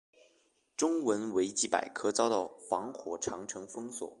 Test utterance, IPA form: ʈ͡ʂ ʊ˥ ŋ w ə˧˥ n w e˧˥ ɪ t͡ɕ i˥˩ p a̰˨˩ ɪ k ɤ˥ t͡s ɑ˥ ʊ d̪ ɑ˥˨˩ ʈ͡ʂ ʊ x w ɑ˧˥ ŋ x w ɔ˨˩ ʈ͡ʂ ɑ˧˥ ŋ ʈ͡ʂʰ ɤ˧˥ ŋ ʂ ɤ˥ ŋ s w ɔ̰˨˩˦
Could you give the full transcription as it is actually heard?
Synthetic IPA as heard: ʈ͡ʂ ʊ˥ ŋ w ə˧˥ n w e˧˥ ɪ t͡ɕ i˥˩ p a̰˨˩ ɪ kʰ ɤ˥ t͡s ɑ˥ ʊ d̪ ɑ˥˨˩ ʊ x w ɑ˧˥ ŋ x w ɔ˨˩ ʈ͡ʂʰ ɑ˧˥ ŋ ʈ͡ʂʰ ɤ˧˥ ŋ f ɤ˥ ŋ s w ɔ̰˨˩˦